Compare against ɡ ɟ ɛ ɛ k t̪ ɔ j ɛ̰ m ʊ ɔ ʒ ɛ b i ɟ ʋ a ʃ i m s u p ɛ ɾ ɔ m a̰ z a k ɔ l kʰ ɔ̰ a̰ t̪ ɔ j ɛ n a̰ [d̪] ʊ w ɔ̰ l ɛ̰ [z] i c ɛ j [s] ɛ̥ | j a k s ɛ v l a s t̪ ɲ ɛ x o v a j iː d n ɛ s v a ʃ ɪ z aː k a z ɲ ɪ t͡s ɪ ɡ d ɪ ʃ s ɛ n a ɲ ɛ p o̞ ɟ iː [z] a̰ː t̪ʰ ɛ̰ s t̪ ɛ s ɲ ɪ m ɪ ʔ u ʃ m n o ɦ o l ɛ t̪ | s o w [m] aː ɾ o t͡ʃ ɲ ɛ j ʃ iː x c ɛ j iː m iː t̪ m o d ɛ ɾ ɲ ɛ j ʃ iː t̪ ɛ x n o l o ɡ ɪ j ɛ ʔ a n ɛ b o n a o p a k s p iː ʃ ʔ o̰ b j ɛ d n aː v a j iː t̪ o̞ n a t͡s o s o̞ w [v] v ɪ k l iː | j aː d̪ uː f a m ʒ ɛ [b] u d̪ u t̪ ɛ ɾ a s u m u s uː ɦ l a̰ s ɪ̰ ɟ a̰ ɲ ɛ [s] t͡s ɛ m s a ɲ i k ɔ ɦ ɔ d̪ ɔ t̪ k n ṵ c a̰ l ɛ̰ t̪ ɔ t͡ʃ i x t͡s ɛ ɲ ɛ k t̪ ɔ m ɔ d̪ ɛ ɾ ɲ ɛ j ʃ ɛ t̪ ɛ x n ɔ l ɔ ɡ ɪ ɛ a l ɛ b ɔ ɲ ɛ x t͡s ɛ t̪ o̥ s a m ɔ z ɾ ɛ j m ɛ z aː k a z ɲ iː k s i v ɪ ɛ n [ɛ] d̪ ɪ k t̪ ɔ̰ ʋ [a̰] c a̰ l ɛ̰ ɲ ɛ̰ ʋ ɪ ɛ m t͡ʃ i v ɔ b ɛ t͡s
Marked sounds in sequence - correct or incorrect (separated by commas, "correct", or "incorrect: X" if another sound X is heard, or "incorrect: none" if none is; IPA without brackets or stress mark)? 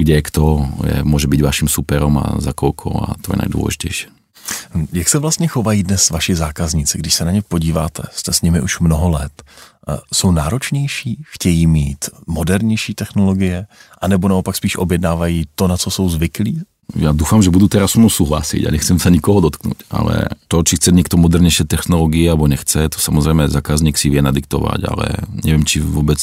correct, incorrect: ʒ, incorrect: ʃ, incorrect: v, incorrect: n, incorrect: z, correct, incorrect: x, incorrect: a, correct